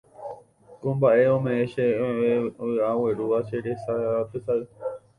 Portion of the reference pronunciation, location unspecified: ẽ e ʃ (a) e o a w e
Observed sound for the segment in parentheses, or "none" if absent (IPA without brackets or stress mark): e